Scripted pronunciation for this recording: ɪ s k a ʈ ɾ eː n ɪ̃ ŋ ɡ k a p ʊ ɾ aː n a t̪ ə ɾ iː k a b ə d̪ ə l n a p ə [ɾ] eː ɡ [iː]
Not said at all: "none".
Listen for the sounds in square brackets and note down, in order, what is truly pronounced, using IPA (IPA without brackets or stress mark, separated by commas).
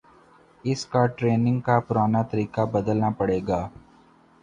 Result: ɽ, aː